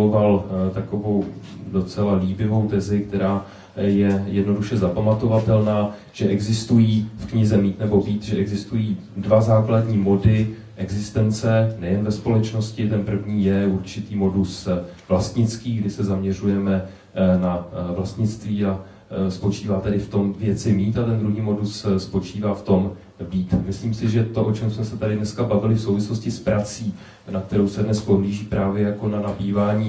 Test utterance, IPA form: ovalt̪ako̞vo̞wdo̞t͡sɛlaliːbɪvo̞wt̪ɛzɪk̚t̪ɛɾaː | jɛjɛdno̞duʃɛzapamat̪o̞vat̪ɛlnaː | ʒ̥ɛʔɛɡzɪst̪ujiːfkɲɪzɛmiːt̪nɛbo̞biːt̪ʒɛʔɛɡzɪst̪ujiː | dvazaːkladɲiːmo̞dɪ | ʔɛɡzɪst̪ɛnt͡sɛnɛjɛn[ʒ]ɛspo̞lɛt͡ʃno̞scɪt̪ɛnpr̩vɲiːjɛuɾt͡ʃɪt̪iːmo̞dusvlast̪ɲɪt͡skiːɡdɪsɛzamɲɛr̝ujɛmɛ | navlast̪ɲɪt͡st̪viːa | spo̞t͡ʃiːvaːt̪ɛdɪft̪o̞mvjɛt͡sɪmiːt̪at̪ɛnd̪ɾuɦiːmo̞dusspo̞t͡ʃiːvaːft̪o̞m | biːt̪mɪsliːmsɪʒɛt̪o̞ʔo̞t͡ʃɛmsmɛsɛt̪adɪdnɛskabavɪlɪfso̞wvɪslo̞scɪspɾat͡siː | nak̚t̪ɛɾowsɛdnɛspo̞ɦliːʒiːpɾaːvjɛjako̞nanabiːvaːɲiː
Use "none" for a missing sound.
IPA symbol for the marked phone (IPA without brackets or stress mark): v